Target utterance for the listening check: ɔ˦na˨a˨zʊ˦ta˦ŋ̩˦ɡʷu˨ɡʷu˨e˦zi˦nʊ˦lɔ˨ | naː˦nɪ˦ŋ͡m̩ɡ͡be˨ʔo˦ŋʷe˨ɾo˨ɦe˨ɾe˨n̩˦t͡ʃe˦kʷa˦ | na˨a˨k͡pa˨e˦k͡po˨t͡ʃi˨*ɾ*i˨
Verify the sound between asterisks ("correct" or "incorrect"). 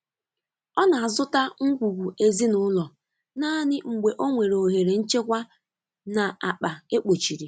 correct